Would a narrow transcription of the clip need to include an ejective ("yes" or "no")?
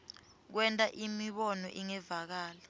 yes